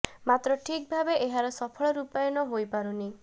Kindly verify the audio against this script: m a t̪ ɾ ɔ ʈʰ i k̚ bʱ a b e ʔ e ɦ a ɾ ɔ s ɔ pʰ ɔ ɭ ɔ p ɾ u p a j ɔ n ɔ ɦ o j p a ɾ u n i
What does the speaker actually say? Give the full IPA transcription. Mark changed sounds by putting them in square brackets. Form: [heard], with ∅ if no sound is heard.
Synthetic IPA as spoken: m a t̪ ɾ ɔ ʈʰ i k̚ bʱ a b e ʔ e ɦ a ɾ ɔ s ɔ pʰ ɔ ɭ ɔ [∅] ɾ u p a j ɔ n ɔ ɦ o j p a ɾ u n i

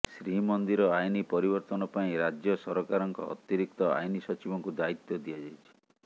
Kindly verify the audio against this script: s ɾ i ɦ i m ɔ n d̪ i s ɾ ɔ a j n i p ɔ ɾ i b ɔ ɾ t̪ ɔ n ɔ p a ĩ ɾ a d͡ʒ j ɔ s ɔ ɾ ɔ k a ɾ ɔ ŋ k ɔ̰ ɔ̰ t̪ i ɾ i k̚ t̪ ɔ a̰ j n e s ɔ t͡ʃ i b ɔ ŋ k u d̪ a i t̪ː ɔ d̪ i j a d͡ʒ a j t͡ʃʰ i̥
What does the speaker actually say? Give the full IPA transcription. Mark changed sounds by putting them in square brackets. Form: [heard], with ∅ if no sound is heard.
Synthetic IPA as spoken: s ɾ i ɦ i m ɔ n d̪ i [∅] ɾ ɔ a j n i p ɔ ɾ i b ɔ ɾ t̪ ɔ n ɔ p a ĩ ɾ a d͡ʒ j ɔ s ɔ ɾ ɔ k a ɾ ɔ ŋ k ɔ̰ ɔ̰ t̪ i ɾ i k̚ t̪ ɔ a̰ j n [i] s ɔ t͡ʃ i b ɔ ŋ k u d̪ a i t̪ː ɔ d̪ i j a d͡ʒ a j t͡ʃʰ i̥

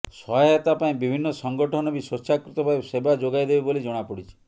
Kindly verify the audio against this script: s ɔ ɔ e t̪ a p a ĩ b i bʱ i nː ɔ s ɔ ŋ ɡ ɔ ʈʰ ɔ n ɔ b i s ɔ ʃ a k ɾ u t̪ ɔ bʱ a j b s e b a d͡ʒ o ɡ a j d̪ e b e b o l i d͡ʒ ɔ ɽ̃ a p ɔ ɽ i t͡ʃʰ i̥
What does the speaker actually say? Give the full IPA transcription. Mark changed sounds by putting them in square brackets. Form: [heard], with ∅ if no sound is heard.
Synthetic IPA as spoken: s ɔ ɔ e t̪ a p a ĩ b i bʱ i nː ɔ s ɔ ŋ ɡ ɔ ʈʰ ɔ n ɔ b i s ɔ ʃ a k ɾ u t̪ ɔ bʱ a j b s e b a d͡ʒ o ɡ a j d̪ e b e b o l i d͡ʒ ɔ ɽ̃ a p ɔ ɽ i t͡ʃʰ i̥

